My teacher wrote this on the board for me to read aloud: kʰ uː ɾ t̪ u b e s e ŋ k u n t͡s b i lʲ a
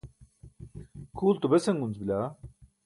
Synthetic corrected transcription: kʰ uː l t̪ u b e s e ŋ ɡ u n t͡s b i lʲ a